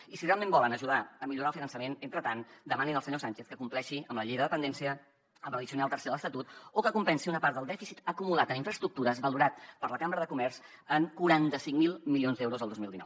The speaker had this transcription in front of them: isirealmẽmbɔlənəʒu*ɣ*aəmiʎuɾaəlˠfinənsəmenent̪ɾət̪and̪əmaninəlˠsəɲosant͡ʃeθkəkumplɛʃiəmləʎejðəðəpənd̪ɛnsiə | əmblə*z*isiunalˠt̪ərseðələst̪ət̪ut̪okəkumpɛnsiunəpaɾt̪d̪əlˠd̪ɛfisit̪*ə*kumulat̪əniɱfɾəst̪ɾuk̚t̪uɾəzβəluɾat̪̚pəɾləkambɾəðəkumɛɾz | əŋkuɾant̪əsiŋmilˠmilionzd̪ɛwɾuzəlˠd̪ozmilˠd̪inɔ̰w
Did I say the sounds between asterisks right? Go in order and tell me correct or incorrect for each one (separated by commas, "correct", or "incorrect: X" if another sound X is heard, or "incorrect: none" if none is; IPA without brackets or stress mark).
incorrect: ð, incorrect: ð, correct